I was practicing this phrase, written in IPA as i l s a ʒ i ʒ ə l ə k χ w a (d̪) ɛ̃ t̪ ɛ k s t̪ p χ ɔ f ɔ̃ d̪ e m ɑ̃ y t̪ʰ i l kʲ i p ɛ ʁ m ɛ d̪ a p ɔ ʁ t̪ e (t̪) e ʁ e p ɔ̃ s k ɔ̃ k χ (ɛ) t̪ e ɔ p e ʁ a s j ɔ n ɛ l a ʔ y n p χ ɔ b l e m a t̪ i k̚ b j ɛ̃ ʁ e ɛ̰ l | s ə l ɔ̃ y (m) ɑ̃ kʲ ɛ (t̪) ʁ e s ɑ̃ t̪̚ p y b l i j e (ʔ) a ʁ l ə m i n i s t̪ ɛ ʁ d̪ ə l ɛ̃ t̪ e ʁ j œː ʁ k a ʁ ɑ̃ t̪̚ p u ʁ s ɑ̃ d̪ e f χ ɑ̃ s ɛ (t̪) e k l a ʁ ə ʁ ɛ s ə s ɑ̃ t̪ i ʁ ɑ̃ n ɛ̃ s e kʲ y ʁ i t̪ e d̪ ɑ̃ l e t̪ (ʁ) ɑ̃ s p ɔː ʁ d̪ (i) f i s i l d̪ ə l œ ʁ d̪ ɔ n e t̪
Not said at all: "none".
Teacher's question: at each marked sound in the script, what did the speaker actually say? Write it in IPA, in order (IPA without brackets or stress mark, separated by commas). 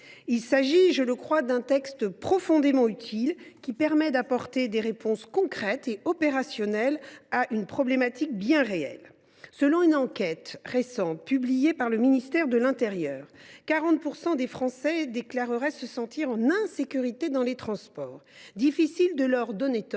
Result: d̪, d̪, ɛ, n, t̪, p, d̪, χ, i